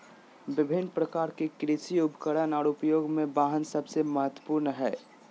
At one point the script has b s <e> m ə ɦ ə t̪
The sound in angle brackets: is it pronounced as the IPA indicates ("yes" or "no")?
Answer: yes